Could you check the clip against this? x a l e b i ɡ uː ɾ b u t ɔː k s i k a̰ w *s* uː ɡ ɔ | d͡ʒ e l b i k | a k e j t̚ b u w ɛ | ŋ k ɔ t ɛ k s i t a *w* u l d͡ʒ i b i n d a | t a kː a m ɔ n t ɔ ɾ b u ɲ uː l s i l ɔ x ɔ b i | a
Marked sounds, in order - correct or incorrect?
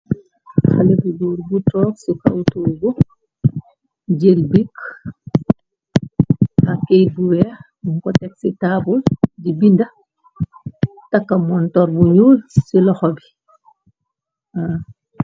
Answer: incorrect, incorrect

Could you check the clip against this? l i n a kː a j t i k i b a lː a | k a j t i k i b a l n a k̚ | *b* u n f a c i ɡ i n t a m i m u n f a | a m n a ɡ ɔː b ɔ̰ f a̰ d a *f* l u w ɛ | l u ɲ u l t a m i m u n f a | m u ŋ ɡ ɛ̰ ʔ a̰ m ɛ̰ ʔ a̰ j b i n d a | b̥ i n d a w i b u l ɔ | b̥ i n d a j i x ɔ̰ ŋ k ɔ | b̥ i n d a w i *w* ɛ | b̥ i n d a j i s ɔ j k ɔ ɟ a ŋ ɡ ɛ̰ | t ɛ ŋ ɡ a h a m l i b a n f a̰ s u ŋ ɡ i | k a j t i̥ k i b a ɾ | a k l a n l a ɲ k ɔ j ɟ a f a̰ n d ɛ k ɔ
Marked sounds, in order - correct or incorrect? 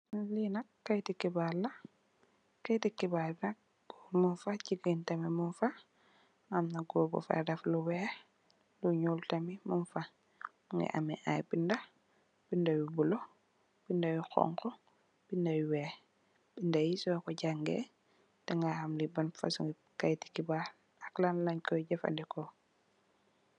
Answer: incorrect, correct, correct

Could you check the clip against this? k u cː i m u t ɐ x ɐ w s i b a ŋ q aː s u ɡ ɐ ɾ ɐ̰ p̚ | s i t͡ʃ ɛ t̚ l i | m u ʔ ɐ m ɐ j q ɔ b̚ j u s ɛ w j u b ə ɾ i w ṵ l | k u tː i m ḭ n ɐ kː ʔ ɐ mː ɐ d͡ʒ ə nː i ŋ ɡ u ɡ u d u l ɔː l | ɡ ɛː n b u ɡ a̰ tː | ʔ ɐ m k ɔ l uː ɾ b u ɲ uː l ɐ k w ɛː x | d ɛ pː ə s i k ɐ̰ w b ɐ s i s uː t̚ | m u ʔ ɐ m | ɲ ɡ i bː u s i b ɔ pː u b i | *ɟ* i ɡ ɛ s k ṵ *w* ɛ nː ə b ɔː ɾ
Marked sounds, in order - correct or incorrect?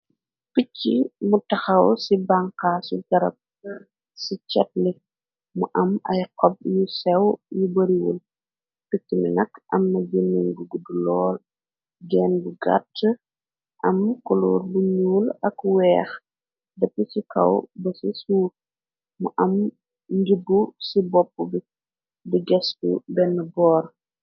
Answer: incorrect, incorrect

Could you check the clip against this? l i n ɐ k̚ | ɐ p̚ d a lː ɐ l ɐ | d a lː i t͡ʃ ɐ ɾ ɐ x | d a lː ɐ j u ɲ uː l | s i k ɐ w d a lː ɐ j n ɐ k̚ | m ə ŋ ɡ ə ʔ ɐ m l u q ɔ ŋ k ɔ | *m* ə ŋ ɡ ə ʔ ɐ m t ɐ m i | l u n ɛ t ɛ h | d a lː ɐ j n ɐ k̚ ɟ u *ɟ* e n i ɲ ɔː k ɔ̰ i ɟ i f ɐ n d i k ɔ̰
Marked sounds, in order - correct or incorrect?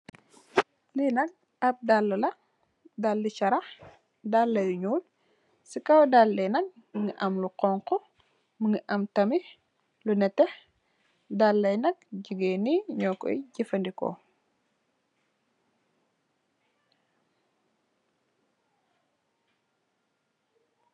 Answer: correct, incorrect

